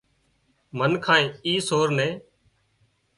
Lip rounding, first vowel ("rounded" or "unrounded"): unrounded